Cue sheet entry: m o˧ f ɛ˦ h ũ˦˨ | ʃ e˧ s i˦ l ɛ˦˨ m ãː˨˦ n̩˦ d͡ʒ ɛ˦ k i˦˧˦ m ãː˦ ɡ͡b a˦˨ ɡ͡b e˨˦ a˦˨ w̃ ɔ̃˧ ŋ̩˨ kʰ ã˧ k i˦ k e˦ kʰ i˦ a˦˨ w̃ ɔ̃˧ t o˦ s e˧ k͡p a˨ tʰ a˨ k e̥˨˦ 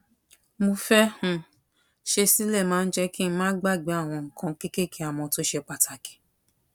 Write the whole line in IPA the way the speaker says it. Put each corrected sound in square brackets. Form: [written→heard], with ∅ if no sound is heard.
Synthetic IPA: m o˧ f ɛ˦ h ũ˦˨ | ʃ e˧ s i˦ l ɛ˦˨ m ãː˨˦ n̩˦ d͡ʒ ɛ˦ k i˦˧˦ m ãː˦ ɡ͡b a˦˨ ɡ͡b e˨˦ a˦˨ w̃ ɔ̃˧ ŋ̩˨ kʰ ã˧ k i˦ k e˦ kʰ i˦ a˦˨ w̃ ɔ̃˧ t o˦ [s→ʃ] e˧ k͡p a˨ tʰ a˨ k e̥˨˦